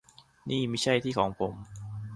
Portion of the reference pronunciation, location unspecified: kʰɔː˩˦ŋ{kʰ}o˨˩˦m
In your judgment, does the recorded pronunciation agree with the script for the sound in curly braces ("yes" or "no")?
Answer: no